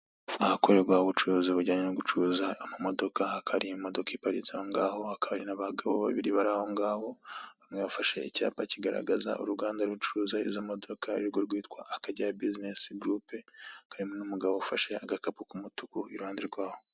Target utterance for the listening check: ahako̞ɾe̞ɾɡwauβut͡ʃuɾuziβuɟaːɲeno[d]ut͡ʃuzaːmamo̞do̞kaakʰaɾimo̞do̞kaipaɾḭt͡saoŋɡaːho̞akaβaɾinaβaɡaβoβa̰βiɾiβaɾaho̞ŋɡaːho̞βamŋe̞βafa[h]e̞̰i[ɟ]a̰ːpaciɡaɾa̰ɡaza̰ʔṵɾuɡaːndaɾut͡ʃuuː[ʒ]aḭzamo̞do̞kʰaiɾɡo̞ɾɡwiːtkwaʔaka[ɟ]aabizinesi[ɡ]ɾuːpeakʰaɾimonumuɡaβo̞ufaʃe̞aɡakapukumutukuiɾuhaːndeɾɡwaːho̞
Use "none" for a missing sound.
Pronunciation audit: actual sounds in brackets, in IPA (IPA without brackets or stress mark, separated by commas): ɡ, ʃ, c, z, ɟ, ɡ